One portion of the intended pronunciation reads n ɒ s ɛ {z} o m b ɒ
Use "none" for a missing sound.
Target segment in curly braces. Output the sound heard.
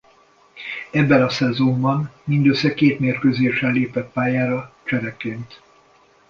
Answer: z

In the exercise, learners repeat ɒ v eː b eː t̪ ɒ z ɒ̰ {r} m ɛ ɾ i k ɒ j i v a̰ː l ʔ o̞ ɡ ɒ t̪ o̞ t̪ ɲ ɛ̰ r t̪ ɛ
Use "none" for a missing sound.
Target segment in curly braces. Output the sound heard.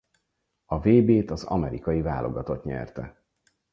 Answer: none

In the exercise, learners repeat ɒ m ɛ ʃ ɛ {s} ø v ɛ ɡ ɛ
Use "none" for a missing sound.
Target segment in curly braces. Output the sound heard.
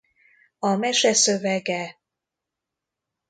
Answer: s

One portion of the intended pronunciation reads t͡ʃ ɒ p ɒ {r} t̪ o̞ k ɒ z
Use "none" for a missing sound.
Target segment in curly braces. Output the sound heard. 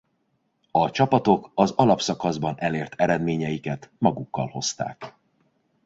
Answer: none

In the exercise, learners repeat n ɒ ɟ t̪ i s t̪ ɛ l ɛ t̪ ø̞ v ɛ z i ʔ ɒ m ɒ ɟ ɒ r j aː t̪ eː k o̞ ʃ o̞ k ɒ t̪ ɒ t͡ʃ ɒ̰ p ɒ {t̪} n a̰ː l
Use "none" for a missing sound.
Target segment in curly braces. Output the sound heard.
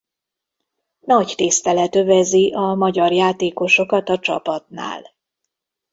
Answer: t̪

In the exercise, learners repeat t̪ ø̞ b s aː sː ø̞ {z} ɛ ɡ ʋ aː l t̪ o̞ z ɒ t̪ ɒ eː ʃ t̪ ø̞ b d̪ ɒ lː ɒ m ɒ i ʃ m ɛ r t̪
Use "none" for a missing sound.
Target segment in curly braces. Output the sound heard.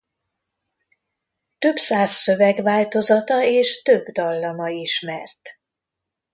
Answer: v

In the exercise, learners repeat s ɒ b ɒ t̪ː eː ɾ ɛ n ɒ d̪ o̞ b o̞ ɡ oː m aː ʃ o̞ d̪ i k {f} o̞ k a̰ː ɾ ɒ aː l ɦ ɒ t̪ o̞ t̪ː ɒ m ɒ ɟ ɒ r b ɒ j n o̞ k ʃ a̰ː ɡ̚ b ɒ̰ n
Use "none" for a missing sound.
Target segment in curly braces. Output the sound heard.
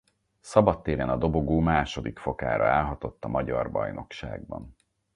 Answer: f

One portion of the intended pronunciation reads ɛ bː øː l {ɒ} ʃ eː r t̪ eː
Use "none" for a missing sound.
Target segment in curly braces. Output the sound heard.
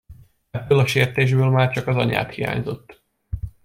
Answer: ɒ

